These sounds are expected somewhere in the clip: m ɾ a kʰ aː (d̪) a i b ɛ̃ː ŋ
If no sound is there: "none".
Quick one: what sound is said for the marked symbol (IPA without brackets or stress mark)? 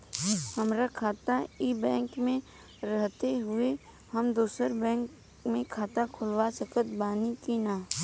t̪